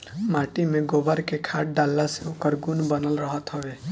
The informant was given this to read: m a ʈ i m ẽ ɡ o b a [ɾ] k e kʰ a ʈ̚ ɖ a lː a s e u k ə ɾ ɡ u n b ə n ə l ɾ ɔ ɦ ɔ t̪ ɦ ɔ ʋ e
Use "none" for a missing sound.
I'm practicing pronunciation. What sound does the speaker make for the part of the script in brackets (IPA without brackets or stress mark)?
ɾ